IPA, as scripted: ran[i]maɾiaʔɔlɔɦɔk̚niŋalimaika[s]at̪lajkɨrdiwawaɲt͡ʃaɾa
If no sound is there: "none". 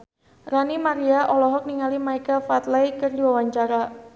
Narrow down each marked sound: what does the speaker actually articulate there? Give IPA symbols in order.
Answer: i, f

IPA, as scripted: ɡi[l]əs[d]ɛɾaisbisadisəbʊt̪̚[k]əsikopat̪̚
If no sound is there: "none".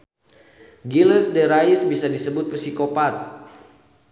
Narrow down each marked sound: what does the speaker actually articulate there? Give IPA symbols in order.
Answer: l, d, p

